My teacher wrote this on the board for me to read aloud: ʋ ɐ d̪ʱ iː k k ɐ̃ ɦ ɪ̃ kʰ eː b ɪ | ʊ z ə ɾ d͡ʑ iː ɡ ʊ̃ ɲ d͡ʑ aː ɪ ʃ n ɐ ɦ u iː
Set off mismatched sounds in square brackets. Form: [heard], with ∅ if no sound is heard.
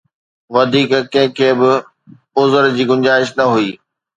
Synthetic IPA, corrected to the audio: ʋ ɐ d̪ʱ iː k k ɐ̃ ɦ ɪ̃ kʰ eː b ɪ | ʊ z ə ɾ d͡ʑ iː ɡ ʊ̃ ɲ d͡ʑ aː ɪ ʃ n ɐ ɦ u iː